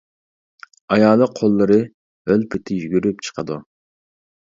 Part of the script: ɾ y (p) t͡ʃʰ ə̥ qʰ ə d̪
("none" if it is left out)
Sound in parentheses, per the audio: p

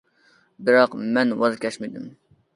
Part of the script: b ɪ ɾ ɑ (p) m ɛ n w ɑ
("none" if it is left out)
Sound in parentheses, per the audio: q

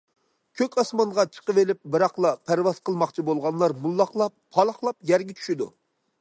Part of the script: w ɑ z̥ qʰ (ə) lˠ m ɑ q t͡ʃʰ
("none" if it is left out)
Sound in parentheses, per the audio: ə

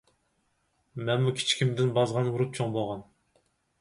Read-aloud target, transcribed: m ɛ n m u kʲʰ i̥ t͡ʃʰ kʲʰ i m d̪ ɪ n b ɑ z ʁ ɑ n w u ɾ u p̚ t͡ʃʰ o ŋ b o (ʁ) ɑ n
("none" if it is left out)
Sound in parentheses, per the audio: ʁ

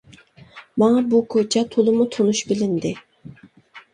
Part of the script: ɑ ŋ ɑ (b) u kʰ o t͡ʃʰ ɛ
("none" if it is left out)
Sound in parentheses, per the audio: b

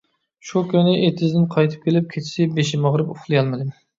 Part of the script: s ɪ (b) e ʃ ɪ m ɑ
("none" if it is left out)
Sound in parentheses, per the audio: b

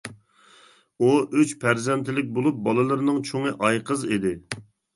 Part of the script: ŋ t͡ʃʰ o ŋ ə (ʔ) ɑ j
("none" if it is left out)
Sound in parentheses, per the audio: ʔ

